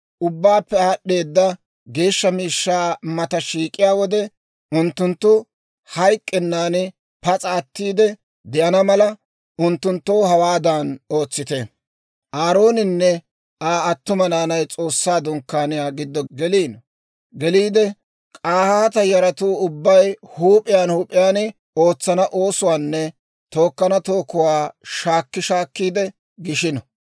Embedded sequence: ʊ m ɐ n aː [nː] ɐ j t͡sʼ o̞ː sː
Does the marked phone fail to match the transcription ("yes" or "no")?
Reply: yes